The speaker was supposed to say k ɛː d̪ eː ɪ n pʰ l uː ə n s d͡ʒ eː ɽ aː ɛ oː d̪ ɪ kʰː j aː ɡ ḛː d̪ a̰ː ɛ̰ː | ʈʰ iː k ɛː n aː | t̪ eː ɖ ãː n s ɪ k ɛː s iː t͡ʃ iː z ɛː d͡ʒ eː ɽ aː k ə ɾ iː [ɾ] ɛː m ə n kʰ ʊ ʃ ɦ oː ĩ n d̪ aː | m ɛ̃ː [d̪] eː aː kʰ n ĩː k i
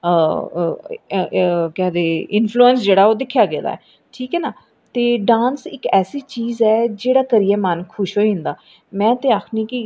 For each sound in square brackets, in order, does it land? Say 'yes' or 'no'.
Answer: no, no

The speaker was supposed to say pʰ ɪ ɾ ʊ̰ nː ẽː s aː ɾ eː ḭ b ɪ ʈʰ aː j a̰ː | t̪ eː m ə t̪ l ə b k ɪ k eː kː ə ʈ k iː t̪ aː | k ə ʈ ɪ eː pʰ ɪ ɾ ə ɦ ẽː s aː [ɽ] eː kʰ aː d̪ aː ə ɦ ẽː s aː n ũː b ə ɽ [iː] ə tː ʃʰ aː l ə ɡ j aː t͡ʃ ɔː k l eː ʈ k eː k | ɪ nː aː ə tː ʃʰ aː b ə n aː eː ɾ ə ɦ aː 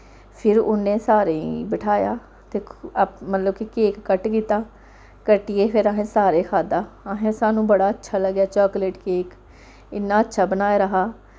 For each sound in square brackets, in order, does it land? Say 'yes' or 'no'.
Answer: no, no

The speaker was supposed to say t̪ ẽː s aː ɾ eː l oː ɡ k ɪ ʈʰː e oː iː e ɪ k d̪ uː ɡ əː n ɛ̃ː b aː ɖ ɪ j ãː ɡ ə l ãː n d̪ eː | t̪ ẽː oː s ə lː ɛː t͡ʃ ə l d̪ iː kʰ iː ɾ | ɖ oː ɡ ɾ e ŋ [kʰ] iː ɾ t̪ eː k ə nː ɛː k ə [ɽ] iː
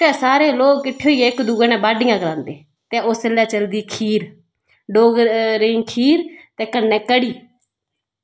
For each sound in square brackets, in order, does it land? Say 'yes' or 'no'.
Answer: yes, yes

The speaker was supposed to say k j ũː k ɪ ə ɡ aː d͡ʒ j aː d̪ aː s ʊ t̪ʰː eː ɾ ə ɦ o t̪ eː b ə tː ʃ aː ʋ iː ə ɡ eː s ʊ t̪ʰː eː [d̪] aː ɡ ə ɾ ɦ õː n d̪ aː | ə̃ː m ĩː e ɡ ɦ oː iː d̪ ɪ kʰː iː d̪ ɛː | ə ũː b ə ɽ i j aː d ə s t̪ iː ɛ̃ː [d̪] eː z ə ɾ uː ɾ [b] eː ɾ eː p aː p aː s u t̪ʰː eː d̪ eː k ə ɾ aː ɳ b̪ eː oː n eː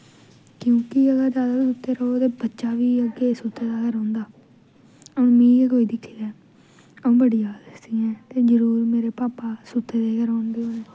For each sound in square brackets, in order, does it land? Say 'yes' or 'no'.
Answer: yes, no, no

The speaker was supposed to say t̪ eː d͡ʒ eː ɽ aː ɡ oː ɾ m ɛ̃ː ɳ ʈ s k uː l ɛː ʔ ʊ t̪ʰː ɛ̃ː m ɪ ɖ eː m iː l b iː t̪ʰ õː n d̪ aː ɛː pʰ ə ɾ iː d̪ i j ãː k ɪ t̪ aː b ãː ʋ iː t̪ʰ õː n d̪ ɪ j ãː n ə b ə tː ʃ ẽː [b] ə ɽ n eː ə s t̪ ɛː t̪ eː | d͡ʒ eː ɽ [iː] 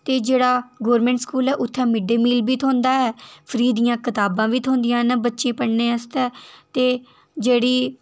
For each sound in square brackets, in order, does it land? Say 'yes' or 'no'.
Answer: no, yes

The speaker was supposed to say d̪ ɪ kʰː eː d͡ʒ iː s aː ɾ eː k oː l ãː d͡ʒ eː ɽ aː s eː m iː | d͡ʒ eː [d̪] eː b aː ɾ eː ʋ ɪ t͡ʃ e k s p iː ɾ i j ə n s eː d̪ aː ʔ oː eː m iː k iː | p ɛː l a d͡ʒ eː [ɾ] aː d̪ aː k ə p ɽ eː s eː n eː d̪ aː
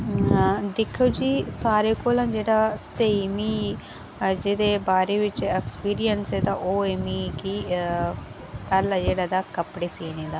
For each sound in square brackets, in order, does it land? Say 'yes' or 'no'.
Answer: yes, no

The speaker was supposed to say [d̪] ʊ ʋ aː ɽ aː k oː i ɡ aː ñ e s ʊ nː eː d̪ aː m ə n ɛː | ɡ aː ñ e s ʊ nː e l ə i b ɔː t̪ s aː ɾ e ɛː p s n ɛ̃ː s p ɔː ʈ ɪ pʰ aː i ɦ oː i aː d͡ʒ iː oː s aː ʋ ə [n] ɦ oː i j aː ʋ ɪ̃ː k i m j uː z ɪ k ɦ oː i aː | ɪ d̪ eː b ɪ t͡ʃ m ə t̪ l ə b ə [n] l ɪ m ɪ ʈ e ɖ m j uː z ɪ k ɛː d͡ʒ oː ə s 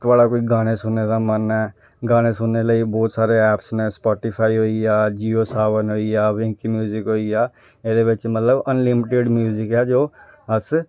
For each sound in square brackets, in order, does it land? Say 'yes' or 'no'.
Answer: no, yes, yes

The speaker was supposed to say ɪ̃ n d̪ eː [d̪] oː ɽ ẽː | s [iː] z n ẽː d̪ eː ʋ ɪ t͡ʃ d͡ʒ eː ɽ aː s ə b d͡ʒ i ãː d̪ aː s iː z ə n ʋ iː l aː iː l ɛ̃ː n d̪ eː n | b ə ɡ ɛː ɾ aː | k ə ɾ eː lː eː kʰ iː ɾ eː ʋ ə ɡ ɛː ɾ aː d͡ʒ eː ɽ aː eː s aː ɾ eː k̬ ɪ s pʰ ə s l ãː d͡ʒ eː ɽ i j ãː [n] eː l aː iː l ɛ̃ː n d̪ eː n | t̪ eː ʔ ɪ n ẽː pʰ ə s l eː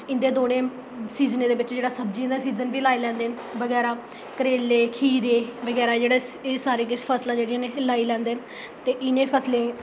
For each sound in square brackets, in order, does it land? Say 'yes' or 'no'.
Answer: yes, yes, yes

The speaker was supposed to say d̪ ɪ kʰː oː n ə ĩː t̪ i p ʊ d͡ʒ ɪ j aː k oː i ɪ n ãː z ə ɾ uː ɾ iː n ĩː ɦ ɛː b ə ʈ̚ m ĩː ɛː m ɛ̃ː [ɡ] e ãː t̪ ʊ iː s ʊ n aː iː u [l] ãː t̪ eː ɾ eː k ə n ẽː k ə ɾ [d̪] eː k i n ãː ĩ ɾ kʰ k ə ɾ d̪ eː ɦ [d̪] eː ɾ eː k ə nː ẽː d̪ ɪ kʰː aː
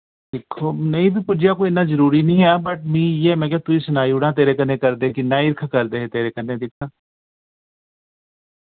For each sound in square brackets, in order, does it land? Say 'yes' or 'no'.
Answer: no, no, yes, no

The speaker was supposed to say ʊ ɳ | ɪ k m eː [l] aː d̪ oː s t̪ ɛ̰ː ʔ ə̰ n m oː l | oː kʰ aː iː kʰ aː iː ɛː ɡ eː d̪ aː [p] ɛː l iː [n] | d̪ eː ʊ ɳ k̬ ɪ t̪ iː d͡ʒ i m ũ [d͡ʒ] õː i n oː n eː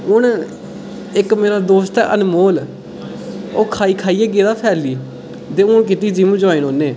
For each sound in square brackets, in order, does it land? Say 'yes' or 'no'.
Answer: no, no, no, yes

